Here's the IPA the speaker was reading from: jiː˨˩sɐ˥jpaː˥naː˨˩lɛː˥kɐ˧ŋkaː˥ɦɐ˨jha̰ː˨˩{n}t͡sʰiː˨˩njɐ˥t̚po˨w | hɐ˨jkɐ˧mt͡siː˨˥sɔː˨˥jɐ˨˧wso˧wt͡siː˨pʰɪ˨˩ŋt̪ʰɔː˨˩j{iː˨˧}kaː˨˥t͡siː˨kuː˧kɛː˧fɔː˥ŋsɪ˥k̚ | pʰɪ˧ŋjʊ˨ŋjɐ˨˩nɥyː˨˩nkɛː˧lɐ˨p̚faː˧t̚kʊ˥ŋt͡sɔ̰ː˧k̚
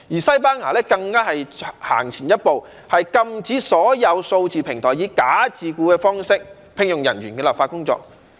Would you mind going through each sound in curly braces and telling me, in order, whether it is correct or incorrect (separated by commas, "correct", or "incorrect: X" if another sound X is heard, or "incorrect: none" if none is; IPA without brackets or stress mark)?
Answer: incorrect: ŋ, correct